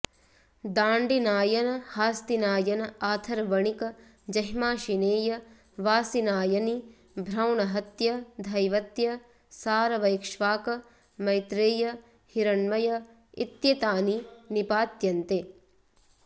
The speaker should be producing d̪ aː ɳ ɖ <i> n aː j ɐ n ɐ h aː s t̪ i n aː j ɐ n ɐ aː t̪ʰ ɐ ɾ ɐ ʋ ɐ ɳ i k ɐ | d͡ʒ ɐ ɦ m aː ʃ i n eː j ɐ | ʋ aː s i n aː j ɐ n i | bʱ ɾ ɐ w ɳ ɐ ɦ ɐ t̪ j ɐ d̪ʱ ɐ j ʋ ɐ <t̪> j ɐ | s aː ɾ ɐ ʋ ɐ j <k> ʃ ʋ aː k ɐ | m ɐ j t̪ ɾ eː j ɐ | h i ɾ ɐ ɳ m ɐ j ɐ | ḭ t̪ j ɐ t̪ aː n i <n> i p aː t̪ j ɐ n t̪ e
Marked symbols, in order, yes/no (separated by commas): yes, yes, yes, yes